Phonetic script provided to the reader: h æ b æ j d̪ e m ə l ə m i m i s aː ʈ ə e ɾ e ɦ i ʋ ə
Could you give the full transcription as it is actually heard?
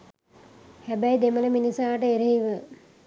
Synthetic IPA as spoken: h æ b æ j d̪ e m ə l ə m i n i s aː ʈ ə e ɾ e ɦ i ʋ ə